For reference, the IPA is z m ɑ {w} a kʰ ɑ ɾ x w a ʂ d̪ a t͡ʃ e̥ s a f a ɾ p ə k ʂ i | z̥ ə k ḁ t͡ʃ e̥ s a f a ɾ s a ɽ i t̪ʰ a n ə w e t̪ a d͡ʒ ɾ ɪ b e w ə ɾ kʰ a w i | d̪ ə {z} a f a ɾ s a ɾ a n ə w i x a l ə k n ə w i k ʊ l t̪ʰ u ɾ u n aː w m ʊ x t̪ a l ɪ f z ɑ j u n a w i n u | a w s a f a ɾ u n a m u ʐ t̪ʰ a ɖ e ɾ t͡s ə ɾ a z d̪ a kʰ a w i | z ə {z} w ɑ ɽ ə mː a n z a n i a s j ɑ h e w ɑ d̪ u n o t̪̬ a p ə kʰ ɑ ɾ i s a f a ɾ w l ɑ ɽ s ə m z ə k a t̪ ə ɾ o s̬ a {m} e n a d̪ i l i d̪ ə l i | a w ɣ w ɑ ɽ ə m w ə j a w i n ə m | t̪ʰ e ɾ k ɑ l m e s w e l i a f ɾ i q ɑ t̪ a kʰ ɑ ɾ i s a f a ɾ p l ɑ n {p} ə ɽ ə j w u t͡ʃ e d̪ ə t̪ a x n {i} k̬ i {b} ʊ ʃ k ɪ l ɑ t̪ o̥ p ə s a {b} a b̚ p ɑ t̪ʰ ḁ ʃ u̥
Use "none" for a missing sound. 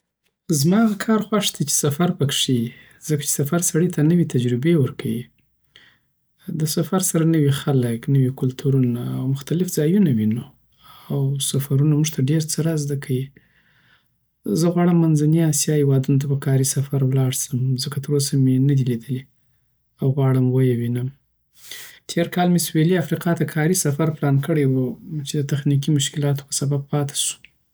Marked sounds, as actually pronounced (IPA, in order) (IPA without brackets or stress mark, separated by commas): ɣ, s, ɣ, m, k, i, m, b